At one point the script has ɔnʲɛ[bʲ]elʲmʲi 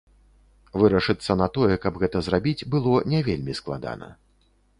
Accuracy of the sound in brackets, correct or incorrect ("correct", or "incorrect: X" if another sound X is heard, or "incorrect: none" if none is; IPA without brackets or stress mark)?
incorrect: vʲ